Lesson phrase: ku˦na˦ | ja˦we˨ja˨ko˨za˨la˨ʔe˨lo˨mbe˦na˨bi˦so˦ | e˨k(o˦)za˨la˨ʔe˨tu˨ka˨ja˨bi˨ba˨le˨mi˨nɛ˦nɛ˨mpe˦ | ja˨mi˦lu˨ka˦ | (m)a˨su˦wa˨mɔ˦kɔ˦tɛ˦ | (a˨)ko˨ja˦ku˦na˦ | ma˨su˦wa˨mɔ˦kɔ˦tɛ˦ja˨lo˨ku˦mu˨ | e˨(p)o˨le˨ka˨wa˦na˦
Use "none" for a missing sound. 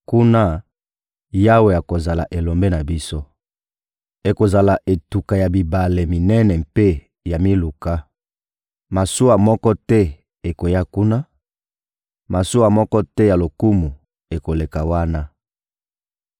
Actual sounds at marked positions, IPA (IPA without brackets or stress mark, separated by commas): o˨, m, e˨, k